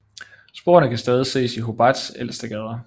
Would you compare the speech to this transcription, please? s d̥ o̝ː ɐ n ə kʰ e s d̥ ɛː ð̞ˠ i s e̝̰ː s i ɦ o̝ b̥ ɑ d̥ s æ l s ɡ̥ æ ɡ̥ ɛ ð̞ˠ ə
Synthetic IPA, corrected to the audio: s b̥ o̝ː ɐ n ə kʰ æ s d̥ ɛː ð̞ˠ i s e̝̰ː s i ɦ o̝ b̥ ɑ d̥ s e l s d̥ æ ɡ̥ ɛ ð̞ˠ ɐ